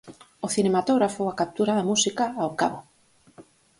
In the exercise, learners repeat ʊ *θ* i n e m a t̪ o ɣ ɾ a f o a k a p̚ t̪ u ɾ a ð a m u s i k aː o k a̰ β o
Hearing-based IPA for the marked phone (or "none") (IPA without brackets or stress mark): θ